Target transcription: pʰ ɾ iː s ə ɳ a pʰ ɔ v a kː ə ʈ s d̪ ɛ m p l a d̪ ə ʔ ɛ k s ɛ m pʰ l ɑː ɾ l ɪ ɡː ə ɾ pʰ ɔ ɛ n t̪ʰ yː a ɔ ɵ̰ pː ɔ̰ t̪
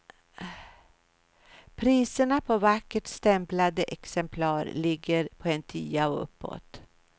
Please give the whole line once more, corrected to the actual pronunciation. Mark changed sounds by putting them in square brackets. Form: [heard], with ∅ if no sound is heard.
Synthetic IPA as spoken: pʰ ɾ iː s ə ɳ a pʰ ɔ v a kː ə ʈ s [t̪] ɛ m p l a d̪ ə ʔ ɛ k s ɛ m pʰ l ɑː ɾ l ɪ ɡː ə ɾ pʰ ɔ ɛ n t̪ʰ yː a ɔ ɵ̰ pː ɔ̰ t̪